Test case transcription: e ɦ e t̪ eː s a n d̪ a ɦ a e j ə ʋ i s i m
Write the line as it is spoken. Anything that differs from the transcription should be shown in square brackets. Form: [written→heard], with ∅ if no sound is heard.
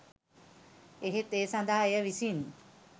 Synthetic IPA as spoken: e ɦ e t̪ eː s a n d̪ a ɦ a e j ə ʋ i s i [m→n]